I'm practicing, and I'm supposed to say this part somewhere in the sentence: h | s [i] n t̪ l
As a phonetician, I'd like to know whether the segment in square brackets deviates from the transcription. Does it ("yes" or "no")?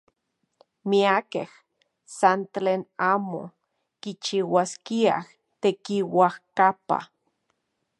yes